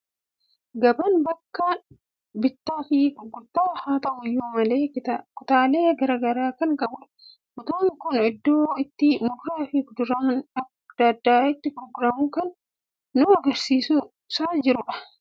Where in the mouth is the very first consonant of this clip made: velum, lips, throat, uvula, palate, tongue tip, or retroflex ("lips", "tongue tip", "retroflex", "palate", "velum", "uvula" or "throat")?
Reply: velum